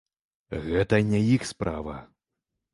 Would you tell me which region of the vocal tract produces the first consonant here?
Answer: velum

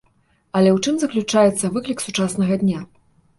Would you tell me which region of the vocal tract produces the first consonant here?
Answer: tongue tip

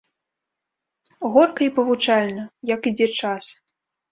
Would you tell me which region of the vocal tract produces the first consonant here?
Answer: velum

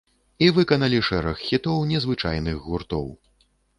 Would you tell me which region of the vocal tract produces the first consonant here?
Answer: lips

